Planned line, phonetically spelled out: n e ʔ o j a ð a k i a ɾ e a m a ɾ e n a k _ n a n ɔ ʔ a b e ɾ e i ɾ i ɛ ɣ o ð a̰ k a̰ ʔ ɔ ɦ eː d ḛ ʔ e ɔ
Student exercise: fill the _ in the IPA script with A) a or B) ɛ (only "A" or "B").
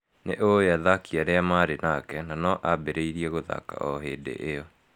B